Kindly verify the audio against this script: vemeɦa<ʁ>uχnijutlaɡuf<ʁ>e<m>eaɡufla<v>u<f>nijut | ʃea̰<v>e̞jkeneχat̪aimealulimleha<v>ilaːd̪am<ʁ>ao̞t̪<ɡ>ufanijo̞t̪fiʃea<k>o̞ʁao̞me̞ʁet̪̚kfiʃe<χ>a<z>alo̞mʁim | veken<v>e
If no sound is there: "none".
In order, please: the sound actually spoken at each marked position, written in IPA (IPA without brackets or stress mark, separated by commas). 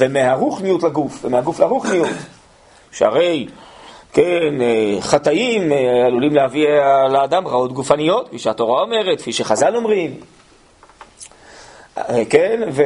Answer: ʁ, v, m, ʁ, χ, ʁ, v, ʁ, ɡ, t, χ, z, v